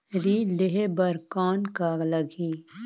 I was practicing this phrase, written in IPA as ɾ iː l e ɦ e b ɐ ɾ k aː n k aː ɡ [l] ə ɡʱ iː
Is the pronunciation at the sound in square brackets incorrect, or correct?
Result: correct